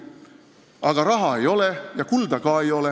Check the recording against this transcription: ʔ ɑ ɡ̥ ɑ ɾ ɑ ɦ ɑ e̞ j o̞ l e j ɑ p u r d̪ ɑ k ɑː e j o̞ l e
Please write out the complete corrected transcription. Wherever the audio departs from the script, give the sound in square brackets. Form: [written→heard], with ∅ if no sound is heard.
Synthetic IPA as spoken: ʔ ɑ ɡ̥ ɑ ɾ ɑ ɦ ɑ e̞ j o̞ l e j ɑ [p→k] u [r→l] d̪ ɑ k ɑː e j o̞ l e